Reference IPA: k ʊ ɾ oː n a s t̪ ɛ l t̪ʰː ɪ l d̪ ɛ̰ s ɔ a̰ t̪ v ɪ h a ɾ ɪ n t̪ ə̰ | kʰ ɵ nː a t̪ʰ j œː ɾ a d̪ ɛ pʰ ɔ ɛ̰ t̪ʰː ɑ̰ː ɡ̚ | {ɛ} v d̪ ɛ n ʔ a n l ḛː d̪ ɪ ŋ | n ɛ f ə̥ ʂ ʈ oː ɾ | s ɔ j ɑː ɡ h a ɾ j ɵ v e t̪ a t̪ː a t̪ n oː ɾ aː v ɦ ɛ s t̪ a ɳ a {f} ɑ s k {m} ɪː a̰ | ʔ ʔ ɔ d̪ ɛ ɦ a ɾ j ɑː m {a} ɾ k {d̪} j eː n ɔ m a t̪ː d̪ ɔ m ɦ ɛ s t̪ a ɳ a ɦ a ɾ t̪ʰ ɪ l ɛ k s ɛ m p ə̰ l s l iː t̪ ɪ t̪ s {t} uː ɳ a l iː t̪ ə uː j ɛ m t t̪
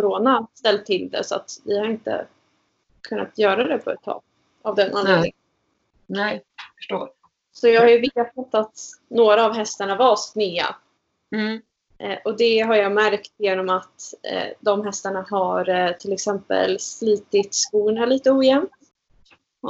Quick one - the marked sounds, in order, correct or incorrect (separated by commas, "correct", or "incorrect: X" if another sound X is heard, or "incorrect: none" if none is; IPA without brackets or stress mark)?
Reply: incorrect: a, incorrect: v, incorrect: n, incorrect: æ, incorrect: t̪, incorrect: k